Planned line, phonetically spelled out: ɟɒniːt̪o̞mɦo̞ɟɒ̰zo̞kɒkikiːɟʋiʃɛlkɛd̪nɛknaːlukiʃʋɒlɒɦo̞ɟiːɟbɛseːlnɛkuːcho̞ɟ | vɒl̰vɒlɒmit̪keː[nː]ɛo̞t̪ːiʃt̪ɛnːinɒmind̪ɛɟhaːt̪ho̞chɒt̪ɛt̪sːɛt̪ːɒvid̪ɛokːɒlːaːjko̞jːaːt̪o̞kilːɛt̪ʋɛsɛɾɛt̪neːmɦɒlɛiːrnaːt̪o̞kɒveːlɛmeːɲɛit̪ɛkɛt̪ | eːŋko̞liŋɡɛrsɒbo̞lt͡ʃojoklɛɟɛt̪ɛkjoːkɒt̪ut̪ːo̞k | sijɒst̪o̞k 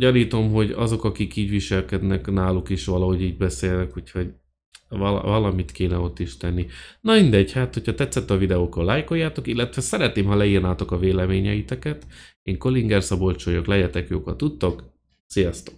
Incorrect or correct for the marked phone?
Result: incorrect: n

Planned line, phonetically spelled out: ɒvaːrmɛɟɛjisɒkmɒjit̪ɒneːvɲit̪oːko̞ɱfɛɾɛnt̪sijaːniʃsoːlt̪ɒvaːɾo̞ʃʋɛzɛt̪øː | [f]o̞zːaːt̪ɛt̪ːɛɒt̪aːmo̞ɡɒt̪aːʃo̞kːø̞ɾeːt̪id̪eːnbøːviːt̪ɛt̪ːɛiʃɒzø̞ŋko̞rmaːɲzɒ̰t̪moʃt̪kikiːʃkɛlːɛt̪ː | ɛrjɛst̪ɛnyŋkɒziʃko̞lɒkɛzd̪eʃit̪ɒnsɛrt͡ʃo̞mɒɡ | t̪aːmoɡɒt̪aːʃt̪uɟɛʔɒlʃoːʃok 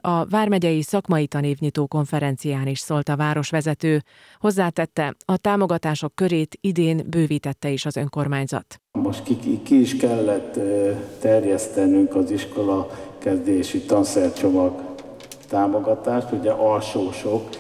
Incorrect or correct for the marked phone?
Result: incorrect: h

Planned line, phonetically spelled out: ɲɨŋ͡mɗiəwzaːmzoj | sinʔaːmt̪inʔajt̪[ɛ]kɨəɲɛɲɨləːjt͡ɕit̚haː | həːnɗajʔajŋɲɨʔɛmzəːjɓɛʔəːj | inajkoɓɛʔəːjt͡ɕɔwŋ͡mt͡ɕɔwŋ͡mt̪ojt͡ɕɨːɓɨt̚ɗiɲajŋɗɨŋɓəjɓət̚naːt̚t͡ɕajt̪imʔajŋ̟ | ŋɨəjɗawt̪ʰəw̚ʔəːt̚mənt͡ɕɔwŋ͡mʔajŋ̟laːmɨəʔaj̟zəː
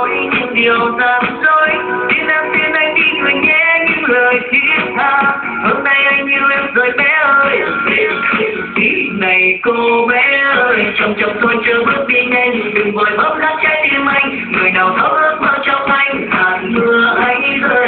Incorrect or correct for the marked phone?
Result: incorrect: i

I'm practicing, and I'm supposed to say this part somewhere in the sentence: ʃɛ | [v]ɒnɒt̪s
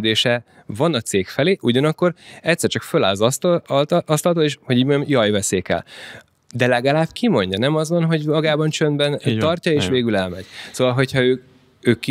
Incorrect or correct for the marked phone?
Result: correct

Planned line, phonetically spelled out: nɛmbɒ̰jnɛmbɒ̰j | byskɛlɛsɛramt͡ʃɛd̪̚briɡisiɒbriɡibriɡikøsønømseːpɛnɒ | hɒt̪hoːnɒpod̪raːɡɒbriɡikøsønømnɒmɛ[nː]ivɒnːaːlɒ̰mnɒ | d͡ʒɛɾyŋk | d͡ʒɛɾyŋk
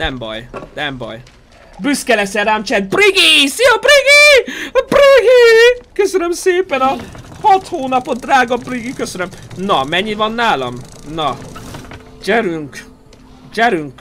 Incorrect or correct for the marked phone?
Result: incorrect: ɲː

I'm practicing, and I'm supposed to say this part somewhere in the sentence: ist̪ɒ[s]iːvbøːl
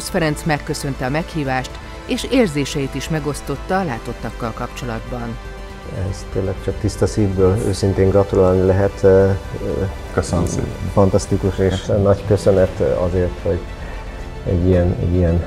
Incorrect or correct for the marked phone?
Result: correct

